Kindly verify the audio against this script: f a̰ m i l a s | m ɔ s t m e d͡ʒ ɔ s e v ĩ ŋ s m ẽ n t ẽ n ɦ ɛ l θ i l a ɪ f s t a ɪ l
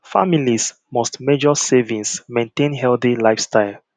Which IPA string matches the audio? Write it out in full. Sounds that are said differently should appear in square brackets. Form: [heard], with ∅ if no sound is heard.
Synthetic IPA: f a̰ m i l [i] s | m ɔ s t m e d͡ʒ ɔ s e v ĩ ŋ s m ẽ n t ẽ n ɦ ɛ l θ i l a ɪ f s t a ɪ l